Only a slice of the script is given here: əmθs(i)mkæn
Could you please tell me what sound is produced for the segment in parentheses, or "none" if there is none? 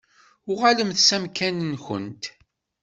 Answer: æ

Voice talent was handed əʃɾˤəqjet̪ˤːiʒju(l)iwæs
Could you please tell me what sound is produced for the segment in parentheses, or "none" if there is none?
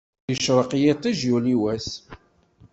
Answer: l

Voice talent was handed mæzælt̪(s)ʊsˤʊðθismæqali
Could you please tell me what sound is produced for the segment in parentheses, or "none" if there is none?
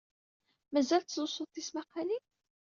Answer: z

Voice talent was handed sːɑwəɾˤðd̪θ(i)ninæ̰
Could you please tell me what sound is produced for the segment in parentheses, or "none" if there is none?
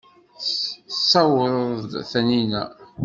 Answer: æ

